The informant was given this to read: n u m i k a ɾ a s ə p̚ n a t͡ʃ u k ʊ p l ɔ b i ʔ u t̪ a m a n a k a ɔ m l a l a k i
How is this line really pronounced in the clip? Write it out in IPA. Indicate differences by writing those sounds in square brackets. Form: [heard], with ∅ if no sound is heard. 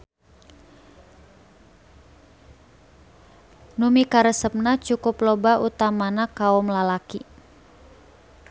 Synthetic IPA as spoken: n u m i k a ɾ [ə] s ə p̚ n a t͡ʃ u k ʊ p l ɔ b [a] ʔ u t̪ a m a n a k a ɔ m l a l a k i